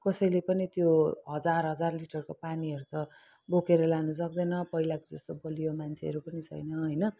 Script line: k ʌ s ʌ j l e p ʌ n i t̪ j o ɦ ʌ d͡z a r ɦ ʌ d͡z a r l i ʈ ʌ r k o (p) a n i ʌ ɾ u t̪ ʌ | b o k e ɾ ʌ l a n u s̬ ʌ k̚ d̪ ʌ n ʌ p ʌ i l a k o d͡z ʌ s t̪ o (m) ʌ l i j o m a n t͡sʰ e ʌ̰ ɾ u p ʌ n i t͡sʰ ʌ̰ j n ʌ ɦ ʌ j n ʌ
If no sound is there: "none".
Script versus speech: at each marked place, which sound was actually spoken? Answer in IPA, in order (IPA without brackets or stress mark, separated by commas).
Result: p, b